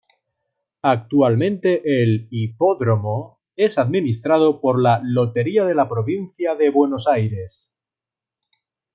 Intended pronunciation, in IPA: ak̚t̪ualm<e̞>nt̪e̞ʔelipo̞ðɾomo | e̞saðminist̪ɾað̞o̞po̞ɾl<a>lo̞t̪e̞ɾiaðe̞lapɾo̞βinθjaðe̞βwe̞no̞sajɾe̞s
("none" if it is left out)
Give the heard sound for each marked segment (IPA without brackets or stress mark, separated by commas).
ẽ̞, a